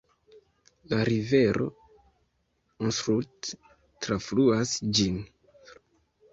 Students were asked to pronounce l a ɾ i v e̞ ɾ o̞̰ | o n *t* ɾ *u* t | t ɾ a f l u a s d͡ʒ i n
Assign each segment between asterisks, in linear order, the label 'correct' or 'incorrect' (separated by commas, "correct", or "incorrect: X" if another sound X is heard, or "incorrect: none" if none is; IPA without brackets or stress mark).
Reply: incorrect: s, correct